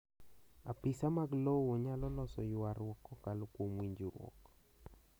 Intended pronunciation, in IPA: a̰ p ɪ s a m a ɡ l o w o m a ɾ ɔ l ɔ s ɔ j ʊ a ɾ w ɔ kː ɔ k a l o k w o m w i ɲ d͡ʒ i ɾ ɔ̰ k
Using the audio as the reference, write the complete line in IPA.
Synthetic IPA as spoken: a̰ p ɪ s a m a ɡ l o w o ɲ a l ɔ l ɔ s ɔ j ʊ a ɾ w ɔ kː ɔ k a l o k w o m w i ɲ d͡ʒ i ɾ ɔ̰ k